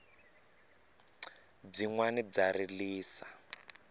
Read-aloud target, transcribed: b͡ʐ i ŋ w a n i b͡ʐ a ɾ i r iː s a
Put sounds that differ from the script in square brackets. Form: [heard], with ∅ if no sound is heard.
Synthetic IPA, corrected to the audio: b͡ʐ i ŋ w a n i b͡ʐ a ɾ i [l] iː s a